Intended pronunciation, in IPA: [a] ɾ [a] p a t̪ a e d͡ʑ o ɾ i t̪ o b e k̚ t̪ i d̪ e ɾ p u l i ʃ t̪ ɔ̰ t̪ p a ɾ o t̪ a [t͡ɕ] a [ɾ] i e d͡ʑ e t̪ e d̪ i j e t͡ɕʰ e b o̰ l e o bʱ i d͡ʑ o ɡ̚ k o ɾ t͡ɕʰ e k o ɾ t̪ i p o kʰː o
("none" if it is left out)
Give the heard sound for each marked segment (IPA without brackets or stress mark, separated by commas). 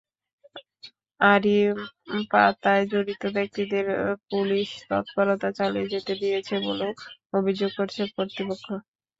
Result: a, i, t͡ɕ, l